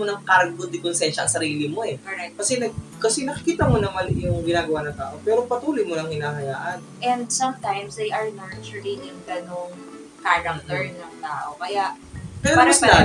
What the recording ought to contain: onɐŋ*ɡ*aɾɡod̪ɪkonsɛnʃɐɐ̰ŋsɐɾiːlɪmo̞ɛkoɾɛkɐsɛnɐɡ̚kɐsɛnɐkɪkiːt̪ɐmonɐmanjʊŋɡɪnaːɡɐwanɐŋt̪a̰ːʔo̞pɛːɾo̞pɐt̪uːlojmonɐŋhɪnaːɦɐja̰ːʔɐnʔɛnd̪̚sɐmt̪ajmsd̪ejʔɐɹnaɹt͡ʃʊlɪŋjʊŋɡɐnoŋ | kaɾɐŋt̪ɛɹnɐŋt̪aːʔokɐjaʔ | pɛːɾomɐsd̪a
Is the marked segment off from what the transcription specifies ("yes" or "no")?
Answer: yes